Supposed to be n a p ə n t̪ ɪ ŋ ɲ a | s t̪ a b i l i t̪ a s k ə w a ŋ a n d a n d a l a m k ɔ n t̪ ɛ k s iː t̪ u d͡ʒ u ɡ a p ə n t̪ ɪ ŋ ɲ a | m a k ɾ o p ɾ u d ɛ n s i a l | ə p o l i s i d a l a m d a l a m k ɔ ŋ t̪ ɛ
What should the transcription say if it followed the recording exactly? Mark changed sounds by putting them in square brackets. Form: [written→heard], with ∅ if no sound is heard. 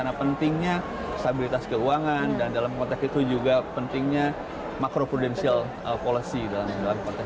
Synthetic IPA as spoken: n a p ə n t̪ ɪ ŋ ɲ a | s t̪ a b i l i t̪ a s k ə [w→u] a ŋ a n d a n d a l a m k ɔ n t̪ ɛ k s [iː→i] t̪ u d͡ʒ u ɡ a p ə n t̪ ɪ ŋ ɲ a | m a k ɾ o p ɾ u d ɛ n s i a l | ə p o l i s i d a l a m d a l a m k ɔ [ŋ→n] t̪ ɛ